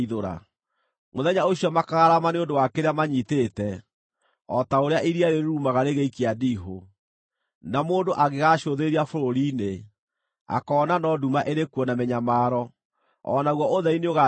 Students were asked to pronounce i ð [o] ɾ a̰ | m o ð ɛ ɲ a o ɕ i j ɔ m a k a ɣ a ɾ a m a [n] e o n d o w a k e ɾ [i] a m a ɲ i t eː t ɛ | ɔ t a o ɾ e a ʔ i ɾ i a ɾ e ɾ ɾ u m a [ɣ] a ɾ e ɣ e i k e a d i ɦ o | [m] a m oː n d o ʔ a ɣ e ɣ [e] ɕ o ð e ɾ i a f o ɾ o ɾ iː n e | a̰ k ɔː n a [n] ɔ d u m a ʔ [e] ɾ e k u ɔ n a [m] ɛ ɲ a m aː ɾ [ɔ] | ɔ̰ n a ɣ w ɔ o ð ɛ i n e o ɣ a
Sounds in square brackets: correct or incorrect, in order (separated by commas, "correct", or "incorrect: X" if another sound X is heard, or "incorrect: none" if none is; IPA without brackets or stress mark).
correct, correct, incorrect: e, correct, incorrect: n, incorrect: a, correct, correct, correct, correct